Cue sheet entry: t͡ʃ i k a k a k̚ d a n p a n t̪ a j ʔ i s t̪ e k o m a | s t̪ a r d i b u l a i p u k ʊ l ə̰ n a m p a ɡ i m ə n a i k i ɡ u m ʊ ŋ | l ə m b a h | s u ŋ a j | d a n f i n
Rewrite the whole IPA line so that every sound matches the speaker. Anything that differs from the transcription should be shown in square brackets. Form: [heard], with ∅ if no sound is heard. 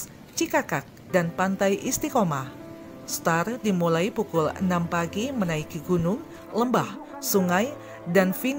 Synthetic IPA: t͡ʃ i k a k a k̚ d a n p a n t̪ a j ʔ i s t̪ [i] k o m a | s t̪ a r d i [m] u l a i p u k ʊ l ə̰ n a m p a ɡ i m ə n a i k i ɡ u [n] ʊ ŋ | l ə m b a h | s u ŋ a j | d a n f i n